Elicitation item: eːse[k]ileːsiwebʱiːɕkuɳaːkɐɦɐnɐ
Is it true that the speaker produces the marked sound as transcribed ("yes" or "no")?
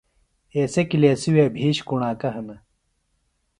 yes